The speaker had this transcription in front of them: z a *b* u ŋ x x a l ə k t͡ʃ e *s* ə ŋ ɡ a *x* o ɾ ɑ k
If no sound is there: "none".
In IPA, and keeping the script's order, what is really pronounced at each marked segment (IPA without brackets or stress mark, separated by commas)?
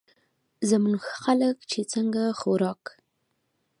m, t͡s, x